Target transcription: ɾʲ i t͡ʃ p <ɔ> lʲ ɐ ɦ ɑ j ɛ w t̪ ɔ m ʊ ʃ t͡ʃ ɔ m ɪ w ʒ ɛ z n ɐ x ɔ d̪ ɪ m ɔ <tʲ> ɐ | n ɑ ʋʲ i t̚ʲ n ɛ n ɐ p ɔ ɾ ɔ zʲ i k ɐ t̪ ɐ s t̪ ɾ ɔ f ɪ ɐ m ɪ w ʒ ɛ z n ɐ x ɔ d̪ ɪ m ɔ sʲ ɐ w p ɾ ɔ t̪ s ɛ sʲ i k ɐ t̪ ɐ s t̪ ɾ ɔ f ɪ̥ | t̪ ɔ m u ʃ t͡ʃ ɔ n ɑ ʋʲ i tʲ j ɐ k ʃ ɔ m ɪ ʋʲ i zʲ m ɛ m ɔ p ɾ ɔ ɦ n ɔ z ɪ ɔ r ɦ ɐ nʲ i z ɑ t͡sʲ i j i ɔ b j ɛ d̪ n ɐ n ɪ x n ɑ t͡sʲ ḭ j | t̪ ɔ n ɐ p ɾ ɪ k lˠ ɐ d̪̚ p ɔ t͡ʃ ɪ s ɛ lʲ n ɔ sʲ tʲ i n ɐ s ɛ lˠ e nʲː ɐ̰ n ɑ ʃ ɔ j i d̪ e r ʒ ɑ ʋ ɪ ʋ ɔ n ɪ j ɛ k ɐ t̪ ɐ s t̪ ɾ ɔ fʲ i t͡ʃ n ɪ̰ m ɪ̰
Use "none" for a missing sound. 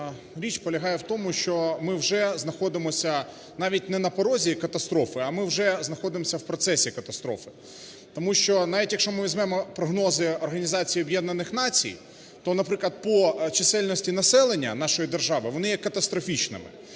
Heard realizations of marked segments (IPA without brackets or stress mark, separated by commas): ɔ, sʲ